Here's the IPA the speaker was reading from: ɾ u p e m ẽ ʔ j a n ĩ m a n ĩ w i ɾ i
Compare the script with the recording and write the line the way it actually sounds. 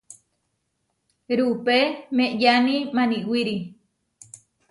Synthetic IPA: ɾ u p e m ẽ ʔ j a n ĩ m a n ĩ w i ɾ i